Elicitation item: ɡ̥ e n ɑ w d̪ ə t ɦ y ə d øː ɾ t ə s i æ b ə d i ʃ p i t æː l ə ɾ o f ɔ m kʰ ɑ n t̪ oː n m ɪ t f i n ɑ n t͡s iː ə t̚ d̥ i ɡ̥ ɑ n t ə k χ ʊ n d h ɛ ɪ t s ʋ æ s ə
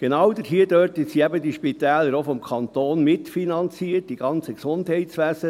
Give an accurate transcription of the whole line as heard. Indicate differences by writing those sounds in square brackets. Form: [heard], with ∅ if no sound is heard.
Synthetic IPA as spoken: ɡ̥ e n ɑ w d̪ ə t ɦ [i] ə d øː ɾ t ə s i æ b ə d i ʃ p i t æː l ə ɾ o f ɔ m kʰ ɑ n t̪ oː n m ɪ t f i n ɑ n t͡s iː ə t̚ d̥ i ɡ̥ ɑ n [t͡s] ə k [s] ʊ n d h ɛ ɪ t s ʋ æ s ə